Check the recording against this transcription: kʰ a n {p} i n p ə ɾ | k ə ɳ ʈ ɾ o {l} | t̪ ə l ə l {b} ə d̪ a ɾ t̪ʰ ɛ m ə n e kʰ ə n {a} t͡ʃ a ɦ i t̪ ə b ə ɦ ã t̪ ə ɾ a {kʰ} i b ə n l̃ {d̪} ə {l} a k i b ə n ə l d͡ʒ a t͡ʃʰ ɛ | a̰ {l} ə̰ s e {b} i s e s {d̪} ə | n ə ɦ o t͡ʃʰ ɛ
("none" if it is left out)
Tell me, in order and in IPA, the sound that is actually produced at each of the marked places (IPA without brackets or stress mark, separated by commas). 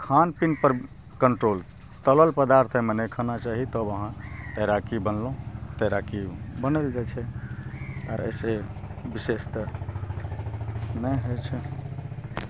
p, l, p, a, k, t̪, ɾ, ɾ, b, t̪